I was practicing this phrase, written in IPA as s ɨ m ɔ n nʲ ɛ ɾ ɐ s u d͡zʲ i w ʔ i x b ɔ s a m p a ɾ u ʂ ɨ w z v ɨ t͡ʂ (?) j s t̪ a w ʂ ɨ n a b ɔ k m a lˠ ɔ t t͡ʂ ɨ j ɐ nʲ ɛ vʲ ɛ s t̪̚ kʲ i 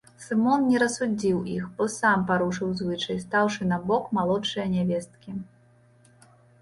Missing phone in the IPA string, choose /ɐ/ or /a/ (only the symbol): ɐ